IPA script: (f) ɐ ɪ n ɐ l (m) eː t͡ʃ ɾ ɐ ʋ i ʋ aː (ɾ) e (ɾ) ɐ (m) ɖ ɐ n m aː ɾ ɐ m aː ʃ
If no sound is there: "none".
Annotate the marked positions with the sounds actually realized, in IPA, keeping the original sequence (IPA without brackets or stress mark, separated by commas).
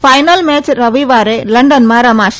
f, m, ɾ, l, ɳ